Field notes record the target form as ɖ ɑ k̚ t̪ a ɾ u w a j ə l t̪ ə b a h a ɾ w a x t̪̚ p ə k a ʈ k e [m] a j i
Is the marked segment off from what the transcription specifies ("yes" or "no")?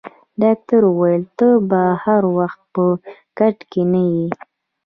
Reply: yes